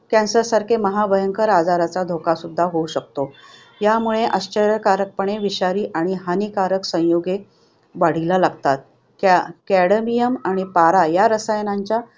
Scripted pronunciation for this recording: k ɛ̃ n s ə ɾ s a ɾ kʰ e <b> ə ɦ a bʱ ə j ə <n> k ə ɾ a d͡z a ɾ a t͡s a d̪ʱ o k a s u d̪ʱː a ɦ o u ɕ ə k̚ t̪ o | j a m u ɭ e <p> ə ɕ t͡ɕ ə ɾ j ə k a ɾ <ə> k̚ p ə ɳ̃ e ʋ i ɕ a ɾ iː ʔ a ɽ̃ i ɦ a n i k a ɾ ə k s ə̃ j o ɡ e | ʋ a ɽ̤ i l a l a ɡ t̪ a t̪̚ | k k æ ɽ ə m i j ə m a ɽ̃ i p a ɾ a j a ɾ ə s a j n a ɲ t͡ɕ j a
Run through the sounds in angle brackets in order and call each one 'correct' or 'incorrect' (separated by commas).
incorrect, incorrect, incorrect, correct